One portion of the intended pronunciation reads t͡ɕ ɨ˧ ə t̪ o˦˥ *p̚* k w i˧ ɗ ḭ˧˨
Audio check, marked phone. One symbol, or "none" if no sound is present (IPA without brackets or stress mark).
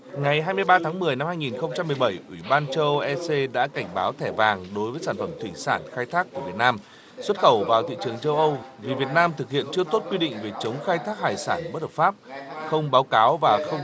t̚